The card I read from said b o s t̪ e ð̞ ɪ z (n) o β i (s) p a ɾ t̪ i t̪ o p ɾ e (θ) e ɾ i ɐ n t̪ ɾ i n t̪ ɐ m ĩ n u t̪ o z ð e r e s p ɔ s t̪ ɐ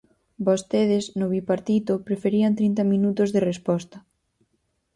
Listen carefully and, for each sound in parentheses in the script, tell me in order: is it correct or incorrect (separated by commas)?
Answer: correct, incorrect, incorrect